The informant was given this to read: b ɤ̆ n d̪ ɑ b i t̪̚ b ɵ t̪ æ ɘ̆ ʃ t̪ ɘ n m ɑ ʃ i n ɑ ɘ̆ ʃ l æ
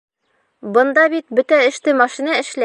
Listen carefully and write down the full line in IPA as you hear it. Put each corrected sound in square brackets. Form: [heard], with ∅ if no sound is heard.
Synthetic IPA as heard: b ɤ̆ n d̪ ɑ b i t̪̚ b ɵ t̪ æ ɘ̆ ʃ t̪ ɘ [∅] m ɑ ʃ i n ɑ ɘ̆ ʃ l æ